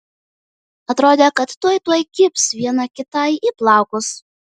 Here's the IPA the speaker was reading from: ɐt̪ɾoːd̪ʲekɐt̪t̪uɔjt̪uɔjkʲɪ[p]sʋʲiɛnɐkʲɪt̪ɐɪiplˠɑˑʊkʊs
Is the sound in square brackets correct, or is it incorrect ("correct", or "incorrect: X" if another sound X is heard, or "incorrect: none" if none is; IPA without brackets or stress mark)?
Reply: correct